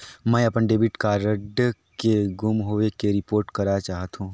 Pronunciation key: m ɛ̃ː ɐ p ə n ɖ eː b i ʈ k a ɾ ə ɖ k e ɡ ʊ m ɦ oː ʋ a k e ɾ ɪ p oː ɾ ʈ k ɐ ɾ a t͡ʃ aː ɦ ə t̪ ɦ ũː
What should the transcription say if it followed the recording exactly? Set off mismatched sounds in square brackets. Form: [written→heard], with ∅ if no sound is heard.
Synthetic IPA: m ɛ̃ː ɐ p ə n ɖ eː b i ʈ k a ɾ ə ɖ k e ɡ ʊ m ɦ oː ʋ [a→e] k e ɾ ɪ p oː ɾ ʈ k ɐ ɾ a t͡ʃ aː ɦ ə t̪ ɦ ũː